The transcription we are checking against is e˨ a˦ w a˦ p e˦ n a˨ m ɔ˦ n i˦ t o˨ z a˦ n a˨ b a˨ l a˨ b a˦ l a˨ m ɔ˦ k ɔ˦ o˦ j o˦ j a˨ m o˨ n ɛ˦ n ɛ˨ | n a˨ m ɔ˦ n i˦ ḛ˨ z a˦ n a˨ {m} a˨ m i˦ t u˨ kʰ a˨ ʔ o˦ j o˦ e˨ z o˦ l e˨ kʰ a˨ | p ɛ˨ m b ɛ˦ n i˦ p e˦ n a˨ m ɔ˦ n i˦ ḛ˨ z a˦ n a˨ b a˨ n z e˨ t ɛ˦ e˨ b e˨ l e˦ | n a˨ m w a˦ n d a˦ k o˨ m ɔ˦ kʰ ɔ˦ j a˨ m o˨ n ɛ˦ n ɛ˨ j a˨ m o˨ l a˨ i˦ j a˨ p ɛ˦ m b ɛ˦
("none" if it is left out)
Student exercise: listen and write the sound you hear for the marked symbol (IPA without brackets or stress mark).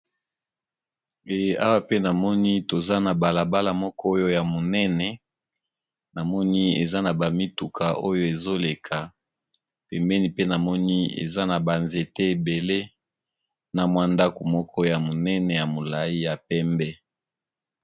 b